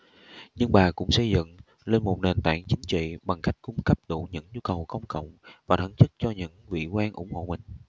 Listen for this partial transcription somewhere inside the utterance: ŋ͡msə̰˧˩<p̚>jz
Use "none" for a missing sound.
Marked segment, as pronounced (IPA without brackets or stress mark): none